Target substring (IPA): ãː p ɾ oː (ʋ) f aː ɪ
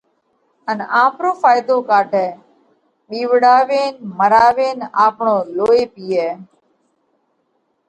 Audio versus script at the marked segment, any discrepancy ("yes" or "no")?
yes